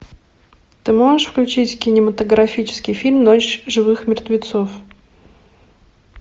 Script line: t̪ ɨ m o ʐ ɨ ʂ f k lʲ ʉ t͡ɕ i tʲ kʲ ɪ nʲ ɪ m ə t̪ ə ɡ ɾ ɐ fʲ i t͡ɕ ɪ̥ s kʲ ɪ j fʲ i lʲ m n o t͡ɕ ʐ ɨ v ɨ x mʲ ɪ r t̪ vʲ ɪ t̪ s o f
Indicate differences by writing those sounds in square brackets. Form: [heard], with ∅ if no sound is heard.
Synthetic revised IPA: t̪ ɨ m o ʐ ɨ ʂ f k lʲ ʉ t͡ɕ i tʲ kʲ ɪ nʲ ɪ m ə t̪ ə ɡ ɾ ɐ fʲ i t͡ɕ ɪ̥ s kʲ ɪ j fʲ i lʲ m n o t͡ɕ ʐ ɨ v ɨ x mʲ ɪ r t̪ vʲ ɪ t̪ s o f